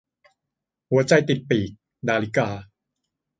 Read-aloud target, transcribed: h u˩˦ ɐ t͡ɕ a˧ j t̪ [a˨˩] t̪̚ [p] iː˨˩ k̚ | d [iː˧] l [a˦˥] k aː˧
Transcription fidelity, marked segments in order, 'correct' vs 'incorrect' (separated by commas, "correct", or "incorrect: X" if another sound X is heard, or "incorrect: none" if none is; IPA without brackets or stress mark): incorrect: i˨˩, correct, incorrect: aː˧, incorrect: i˦˥